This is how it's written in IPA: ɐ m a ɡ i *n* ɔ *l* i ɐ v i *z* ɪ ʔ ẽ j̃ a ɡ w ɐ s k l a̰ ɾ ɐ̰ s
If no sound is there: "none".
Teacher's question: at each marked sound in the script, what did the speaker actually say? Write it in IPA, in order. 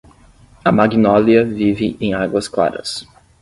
n, l, v

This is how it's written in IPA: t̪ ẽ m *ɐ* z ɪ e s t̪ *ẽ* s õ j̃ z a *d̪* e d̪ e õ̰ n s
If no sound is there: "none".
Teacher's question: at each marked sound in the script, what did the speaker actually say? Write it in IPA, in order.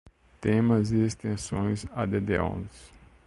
ɐ, ẽ, d̪

